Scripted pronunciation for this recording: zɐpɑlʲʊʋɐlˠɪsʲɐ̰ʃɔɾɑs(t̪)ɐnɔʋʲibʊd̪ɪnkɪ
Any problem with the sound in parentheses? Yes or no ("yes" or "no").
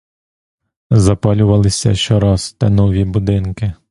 no